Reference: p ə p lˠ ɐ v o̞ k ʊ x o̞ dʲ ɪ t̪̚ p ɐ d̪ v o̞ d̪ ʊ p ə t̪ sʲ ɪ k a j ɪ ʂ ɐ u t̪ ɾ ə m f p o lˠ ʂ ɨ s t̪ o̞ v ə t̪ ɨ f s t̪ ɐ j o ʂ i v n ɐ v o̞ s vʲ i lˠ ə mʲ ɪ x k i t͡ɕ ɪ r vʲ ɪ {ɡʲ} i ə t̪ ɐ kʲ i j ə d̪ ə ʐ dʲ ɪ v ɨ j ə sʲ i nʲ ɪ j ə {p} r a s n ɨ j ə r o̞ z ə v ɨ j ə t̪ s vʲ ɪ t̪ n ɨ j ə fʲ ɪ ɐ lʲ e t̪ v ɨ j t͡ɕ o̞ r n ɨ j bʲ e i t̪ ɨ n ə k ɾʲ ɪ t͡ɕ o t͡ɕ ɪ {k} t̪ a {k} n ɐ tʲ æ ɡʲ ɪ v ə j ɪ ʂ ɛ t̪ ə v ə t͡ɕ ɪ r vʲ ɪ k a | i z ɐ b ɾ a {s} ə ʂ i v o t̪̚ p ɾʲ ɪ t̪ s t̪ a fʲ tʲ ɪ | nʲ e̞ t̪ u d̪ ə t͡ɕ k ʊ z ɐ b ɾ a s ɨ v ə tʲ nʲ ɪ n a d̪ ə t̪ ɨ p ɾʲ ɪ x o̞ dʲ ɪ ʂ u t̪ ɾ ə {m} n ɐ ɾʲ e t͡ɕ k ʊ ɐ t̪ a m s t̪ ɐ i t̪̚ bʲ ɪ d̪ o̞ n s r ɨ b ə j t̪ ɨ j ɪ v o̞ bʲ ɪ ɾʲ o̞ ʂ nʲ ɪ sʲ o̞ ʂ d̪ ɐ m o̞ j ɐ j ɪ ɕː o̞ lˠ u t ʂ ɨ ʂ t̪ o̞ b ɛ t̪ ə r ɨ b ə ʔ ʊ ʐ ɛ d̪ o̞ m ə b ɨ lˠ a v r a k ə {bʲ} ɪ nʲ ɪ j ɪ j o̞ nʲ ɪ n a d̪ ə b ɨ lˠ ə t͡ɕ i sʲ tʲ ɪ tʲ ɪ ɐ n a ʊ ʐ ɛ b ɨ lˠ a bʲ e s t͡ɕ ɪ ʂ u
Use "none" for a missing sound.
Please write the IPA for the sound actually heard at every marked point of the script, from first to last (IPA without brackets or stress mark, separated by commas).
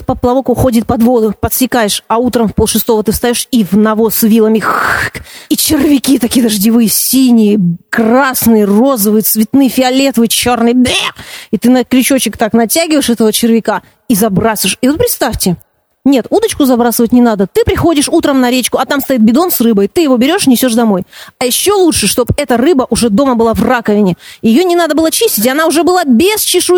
kʲ, k, k, k, s, m, vʲ